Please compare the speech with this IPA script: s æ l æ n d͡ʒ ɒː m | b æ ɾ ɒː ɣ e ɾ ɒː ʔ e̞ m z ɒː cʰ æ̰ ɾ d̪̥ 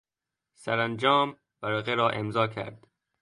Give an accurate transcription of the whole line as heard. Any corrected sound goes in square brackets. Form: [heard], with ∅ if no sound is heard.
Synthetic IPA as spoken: s æ [ɾ] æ n d͡ʒ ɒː m | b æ ɾ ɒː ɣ e ɾ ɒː ʔ e̞ m z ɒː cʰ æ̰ ɾ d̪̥